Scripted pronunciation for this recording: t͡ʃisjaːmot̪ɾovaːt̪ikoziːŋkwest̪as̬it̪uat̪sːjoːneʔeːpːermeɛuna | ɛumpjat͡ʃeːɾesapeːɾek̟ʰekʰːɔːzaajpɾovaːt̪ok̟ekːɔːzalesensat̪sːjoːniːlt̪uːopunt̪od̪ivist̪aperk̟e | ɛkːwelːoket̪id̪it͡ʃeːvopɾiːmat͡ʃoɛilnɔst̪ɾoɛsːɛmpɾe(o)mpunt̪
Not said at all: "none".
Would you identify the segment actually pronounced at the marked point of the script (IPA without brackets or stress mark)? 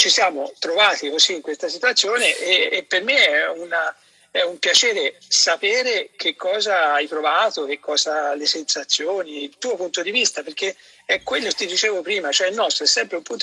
u